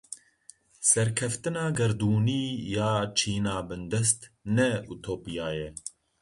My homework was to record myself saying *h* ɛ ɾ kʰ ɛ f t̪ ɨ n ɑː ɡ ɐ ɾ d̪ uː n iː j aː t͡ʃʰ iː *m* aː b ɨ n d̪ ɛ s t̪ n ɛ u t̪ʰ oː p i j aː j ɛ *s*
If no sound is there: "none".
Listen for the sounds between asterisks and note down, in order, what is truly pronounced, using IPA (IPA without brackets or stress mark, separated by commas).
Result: s, n, none